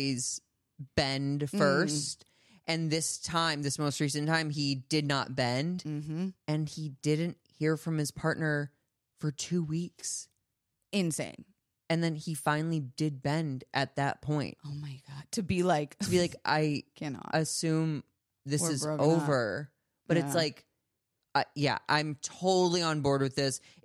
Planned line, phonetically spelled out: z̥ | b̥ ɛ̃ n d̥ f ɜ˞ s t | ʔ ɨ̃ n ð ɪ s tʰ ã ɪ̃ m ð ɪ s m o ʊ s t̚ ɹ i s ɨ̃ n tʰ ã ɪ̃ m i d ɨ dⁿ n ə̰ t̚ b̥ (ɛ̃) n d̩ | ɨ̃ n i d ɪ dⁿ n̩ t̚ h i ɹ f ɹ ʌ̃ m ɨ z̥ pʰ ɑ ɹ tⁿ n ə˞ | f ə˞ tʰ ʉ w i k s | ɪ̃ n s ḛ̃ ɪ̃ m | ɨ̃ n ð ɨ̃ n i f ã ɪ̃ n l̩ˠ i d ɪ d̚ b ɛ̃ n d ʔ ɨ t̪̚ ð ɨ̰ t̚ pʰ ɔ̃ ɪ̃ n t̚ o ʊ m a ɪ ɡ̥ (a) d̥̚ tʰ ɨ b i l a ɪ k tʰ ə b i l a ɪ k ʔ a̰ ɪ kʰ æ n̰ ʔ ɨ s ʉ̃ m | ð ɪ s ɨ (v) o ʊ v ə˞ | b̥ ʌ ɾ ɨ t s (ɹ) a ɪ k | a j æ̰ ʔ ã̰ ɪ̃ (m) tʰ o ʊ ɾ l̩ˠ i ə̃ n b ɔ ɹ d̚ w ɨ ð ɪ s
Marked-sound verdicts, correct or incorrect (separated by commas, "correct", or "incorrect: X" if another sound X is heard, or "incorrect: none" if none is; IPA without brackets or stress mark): correct, incorrect: ɑ, incorrect: z, incorrect: l, correct